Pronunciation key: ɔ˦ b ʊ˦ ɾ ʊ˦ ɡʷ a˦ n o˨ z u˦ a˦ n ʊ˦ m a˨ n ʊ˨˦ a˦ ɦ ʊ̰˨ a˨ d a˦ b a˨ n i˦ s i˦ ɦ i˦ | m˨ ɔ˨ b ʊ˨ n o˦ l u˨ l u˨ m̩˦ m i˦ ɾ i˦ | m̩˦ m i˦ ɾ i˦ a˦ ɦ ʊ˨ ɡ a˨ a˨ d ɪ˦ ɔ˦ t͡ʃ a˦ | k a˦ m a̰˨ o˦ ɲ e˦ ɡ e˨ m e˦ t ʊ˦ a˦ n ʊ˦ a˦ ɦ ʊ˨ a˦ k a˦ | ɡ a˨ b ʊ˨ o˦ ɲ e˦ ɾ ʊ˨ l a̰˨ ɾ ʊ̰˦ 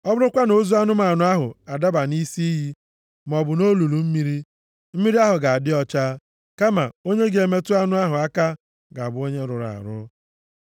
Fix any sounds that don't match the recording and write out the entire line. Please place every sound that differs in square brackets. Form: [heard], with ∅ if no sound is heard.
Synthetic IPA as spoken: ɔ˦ b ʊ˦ ɾ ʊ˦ [kʷ] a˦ n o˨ z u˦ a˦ n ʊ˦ m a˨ n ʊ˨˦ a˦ ɦ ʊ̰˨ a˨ d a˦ b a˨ n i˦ s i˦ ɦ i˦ | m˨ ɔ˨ b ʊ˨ n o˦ l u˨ l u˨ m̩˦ m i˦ ɾ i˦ | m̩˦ m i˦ ɾ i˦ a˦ ɦ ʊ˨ ɡ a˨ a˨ d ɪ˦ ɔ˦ t͡ʃ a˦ | k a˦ m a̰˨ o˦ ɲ e˦ ɡ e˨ m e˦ t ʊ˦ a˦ n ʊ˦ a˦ ɦ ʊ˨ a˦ k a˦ | ɡ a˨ b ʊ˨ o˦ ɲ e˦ ɾ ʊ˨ [ɾ] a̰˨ ɾ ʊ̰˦